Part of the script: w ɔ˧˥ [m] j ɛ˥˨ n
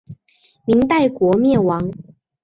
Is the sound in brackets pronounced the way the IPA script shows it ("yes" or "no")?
yes